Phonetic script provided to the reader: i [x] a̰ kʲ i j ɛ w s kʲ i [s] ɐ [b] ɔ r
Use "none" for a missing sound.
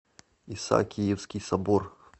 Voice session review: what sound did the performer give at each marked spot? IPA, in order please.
s, s, b

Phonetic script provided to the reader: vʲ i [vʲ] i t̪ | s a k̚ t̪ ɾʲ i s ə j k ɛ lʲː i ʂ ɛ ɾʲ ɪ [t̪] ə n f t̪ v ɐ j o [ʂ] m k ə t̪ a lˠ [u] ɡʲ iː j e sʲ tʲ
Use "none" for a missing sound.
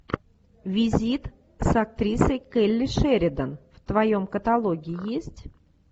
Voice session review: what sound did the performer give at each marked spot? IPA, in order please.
zʲ, d̪, none, o

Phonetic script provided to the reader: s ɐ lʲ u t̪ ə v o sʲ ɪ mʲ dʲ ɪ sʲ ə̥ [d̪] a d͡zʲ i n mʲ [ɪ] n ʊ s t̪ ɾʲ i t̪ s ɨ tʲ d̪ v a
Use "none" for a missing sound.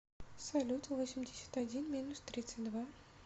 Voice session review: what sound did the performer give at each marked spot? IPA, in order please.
t̪, i

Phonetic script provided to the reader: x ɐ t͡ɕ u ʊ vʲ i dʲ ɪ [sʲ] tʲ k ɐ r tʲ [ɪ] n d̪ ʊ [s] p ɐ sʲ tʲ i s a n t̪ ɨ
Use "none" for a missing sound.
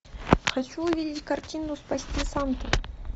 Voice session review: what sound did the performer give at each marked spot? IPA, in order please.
none, i, s

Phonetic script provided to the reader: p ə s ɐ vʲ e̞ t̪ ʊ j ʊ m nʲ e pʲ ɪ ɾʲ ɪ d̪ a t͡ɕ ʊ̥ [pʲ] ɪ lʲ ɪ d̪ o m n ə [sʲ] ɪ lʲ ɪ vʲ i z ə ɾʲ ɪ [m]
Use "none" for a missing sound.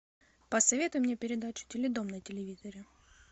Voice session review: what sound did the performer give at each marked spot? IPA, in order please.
tʲ, tʲ, none

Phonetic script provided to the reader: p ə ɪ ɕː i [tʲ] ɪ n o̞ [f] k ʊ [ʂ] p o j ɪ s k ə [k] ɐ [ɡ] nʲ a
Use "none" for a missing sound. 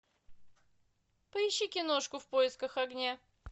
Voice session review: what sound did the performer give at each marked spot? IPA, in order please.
kʲ, ʂ, f, x, ɡ

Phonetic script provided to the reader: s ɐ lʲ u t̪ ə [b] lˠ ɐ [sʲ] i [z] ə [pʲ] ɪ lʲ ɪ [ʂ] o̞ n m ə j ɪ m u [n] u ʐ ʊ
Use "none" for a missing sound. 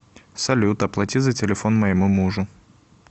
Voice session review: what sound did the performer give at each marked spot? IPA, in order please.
p, tʲ, z, tʲ, f, m

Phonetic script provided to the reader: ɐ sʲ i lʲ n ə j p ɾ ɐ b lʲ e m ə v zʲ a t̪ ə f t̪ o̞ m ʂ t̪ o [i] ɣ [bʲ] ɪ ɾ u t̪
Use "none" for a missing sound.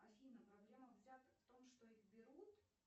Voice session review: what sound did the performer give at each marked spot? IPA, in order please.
i, bʲ

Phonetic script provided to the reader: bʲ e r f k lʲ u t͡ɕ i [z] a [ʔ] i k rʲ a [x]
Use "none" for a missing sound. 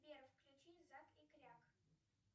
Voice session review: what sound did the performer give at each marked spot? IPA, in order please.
z, k, k

